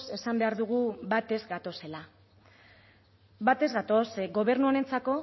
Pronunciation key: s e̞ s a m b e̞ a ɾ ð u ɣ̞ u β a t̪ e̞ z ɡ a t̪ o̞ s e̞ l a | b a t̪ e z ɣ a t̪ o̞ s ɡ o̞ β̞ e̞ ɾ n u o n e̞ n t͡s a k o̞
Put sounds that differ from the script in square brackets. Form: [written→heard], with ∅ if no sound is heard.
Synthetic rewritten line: s e̞ s a m b e̞ a ɾ ð u ɣ̞ u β a t̪ e̞ z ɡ a t̪ o̞ s e̞ l a | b a t̪ e z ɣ a t̪ o̞ s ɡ o̞ β̞ e̞ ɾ n u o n e̞ n t͡s a k o̞